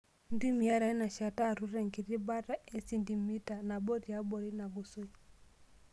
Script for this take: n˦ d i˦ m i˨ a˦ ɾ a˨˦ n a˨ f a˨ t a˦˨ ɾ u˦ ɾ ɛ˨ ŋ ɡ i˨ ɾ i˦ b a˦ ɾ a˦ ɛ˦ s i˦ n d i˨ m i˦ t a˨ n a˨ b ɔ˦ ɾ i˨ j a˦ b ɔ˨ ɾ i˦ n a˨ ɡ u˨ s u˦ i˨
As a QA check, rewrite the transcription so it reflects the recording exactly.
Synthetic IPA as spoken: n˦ d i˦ m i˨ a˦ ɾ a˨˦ n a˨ ʃ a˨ t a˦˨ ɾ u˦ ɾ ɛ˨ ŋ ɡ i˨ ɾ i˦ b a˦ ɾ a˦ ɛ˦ s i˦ n d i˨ m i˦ t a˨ n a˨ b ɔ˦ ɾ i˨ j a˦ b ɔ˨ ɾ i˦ n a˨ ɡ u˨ s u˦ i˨